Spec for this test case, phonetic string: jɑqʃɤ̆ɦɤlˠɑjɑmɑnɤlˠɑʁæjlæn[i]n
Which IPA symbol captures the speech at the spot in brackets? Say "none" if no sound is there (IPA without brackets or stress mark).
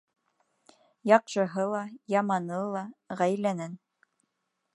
æ